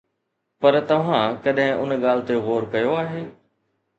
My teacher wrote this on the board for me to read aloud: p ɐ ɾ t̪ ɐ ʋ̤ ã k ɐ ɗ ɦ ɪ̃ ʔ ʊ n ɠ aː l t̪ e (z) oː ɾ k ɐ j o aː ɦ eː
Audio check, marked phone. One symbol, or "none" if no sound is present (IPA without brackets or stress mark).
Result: ɣ